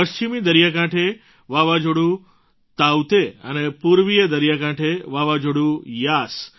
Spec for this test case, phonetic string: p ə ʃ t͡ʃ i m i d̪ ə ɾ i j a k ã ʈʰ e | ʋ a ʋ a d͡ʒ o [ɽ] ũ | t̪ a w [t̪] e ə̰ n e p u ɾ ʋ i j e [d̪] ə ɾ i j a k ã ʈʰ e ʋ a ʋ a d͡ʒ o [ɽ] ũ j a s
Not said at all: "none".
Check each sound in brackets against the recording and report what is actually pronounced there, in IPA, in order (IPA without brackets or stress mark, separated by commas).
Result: ɽ, t̪, d̪, ɽ